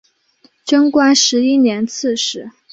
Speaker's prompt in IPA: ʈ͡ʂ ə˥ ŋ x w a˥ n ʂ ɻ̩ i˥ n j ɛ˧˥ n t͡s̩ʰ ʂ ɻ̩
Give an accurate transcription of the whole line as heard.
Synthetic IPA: ʈ͡ʂ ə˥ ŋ k w a˥ n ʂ ɻ̩ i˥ n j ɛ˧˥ n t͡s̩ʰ ʂ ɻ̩